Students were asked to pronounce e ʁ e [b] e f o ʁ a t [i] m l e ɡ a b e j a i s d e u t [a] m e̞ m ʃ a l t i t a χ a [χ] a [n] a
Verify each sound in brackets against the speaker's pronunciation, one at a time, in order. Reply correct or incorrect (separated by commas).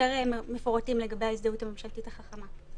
incorrect, correct, correct, correct, incorrect